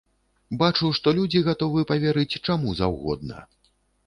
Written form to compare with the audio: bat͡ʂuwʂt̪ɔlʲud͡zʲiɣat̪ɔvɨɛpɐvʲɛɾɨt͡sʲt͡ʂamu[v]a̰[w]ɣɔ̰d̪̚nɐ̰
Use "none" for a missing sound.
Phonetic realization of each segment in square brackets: z, w

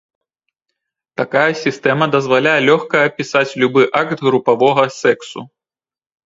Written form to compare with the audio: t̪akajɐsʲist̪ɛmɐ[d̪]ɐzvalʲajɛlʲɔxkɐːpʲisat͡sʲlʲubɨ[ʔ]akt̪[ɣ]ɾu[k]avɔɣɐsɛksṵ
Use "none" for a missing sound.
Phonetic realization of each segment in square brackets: d̪, ʔ, ɣ, p

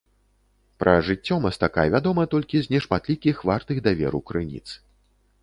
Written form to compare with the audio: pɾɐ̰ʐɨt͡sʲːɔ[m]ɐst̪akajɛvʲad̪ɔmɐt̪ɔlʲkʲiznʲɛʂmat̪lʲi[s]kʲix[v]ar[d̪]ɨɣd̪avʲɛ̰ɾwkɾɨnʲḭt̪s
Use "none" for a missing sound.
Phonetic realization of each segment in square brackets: m, none, v, t̪

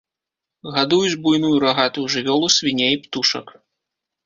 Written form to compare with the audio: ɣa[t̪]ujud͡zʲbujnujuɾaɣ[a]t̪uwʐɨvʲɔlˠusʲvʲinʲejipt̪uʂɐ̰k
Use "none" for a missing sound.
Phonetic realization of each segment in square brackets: d̪, a

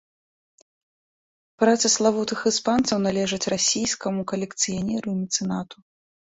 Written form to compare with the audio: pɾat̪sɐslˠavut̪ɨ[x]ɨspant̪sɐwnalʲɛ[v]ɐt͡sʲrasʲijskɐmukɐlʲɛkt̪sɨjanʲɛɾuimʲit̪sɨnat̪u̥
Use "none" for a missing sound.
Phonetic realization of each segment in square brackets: x, ʐ

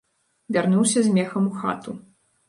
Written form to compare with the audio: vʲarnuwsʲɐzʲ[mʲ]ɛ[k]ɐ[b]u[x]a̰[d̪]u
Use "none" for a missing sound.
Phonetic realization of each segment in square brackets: mʲ, x, m, x, t̪

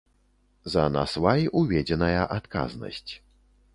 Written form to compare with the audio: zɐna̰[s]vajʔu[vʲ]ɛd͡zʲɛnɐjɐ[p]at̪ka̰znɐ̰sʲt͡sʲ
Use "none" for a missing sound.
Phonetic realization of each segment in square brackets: s, vʲ, ʔ

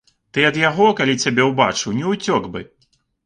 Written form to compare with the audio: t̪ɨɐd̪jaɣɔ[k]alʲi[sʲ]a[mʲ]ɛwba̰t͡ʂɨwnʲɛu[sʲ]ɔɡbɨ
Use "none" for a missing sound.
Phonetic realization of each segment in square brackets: k, t͡sʲ, bʲ, t͡sʲ

